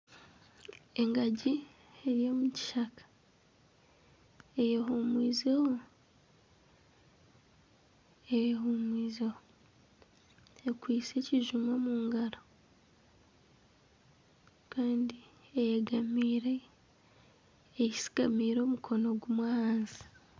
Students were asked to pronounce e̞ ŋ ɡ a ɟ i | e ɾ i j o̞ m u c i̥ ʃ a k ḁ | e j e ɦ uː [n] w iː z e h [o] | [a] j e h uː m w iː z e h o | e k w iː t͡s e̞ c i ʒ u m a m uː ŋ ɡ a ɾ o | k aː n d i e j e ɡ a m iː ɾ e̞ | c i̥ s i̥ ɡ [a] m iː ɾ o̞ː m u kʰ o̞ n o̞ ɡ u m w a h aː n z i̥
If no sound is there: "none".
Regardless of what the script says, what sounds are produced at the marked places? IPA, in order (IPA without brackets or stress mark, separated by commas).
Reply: m, o, e, a